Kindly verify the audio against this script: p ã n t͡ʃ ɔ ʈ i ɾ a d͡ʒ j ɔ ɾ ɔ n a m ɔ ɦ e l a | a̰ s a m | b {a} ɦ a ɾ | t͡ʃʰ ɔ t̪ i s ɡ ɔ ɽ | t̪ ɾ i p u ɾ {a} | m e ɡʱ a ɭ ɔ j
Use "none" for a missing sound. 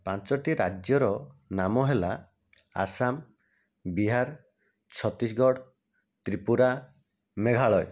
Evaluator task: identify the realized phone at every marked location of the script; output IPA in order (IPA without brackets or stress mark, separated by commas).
i, a